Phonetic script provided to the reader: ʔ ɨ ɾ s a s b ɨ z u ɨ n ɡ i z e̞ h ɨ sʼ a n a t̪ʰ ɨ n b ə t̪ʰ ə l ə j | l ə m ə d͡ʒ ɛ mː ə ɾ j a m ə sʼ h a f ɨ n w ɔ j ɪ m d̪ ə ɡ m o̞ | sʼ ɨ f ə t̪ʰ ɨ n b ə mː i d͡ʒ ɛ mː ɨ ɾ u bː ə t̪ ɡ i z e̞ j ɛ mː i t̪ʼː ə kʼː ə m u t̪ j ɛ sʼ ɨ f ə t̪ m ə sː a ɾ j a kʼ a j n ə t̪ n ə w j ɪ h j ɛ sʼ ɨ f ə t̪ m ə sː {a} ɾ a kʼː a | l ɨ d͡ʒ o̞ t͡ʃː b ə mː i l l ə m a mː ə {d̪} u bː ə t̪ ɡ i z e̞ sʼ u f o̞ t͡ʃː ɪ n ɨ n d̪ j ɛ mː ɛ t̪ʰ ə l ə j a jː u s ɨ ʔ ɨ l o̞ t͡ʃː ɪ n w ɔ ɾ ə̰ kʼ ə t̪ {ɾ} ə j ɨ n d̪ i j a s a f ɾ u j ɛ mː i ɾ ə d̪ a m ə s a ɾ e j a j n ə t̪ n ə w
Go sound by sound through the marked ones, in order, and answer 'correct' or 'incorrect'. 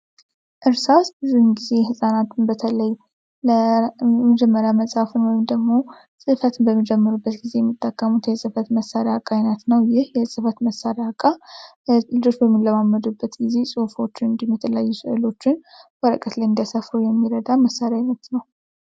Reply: correct, correct, incorrect: l

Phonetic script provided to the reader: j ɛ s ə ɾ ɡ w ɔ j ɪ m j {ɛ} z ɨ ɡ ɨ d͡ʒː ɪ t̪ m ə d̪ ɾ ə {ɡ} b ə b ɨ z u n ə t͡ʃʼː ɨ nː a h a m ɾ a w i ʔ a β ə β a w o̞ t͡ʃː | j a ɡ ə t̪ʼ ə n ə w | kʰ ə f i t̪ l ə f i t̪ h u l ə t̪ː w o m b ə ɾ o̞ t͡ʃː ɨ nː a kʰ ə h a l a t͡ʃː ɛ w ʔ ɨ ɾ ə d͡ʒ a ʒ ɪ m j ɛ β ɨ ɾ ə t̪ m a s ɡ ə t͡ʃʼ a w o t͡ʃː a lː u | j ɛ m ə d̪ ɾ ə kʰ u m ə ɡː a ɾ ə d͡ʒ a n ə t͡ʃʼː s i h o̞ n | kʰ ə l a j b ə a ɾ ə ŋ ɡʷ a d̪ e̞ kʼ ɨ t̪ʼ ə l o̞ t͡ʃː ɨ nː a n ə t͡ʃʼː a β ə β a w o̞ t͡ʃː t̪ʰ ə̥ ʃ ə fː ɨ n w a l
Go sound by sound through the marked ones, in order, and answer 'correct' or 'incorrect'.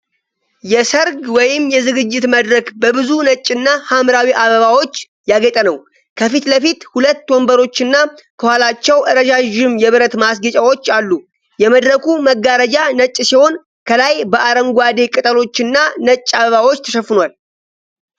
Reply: correct, incorrect: k

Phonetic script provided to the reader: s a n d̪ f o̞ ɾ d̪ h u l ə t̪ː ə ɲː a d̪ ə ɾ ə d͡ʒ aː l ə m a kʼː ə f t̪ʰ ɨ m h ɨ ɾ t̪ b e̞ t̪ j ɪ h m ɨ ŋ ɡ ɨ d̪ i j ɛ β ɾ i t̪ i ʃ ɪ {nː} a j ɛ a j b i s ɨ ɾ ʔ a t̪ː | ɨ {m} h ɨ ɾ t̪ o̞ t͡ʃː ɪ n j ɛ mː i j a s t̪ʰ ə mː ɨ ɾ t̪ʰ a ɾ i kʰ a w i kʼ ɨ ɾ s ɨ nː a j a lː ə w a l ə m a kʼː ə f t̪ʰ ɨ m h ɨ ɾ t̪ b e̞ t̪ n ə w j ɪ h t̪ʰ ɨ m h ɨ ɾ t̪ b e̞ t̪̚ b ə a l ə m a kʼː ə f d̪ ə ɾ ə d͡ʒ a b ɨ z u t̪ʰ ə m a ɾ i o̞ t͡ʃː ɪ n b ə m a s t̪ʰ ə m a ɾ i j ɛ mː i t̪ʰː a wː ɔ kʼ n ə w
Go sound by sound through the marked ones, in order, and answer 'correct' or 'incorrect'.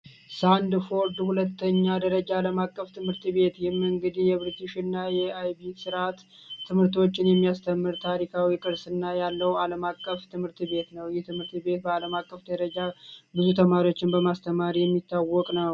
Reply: correct, correct

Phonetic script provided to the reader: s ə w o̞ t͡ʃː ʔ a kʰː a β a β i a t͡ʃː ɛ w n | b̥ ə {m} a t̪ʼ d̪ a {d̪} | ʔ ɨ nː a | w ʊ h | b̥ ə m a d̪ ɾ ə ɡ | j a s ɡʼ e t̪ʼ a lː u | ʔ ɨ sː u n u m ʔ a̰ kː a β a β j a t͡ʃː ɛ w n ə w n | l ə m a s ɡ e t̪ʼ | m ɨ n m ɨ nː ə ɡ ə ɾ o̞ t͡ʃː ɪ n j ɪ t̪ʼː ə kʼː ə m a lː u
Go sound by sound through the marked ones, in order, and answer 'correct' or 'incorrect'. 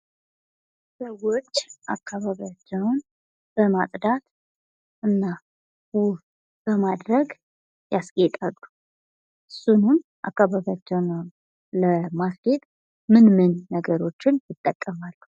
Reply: correct, incorrect: t̪

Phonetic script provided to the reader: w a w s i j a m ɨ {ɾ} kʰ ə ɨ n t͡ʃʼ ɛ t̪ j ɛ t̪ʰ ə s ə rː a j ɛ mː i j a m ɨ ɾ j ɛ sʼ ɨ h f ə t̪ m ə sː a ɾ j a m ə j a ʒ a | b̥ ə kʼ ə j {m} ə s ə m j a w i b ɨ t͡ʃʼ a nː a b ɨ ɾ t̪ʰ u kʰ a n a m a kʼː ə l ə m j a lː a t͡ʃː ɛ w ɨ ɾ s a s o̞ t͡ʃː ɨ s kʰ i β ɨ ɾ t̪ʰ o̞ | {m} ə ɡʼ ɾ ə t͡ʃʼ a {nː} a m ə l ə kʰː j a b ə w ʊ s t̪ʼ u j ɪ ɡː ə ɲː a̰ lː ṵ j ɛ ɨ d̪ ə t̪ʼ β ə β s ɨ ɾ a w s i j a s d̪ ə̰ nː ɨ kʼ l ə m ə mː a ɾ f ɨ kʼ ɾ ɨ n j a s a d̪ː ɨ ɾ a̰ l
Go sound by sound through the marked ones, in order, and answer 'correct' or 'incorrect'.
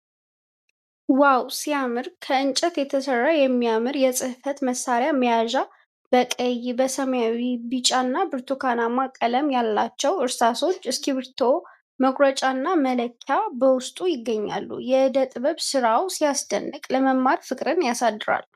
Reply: correct, incorrect: b, correct, correct

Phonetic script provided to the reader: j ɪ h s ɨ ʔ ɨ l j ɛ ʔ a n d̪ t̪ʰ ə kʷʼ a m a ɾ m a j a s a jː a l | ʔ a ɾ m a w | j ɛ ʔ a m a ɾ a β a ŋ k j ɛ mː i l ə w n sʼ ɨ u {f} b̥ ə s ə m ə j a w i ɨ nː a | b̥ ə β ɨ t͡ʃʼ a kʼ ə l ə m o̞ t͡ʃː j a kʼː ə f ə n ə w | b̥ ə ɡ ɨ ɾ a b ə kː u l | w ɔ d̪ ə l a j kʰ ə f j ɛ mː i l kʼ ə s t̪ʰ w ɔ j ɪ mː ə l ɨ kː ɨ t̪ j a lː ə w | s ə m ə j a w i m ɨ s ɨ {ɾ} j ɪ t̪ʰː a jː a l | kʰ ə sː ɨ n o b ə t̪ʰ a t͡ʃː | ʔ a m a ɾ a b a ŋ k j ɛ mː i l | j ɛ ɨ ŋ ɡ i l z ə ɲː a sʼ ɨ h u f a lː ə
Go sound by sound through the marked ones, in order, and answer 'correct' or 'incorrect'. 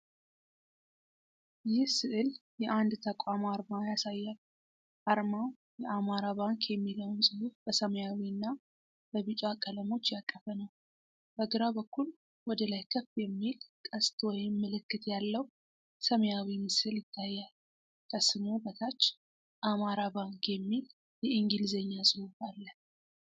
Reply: correct, incorrect: l

